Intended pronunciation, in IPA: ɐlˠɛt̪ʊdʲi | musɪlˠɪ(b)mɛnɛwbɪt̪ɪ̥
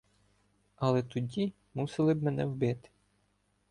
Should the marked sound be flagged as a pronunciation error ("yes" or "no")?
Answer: no